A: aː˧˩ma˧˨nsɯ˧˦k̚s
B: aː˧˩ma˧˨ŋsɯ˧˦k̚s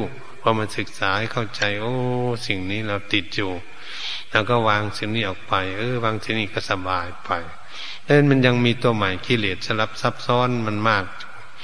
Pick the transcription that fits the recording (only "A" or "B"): A